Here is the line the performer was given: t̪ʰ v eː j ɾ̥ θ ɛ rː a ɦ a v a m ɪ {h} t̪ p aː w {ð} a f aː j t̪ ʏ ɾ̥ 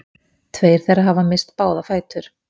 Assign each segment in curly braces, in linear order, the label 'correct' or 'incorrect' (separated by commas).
incorrect, correct